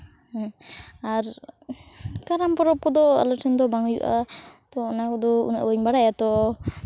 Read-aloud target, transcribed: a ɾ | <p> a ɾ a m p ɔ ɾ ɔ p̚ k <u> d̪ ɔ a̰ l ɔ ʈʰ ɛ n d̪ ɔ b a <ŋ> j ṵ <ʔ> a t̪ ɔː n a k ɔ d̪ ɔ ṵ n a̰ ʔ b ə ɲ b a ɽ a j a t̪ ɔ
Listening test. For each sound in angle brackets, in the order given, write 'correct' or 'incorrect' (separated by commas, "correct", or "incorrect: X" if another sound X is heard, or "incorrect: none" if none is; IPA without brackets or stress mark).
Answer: incorrect: k, incorrect: ɔ, correct, correct